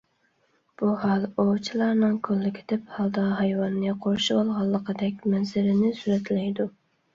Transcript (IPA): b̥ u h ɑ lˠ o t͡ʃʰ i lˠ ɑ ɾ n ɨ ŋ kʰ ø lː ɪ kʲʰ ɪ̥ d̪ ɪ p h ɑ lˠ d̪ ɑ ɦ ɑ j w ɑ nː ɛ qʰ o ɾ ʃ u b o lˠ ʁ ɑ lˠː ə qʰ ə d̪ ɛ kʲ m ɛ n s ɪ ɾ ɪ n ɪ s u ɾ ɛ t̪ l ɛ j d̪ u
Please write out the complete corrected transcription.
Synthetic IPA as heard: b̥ u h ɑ lˠ o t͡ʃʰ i lˠ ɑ ɾ n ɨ ŋ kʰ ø lː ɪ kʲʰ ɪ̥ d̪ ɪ p h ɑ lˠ d̪ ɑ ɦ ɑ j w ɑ nː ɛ qʰ o ɾ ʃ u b o lˠ ʁ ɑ lˠː ə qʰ ə d̪ ɛ kʲ m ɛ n z ɪ ɾ ɪ n ɪ s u ɾ ɛ t̪ l ɛ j d̪ u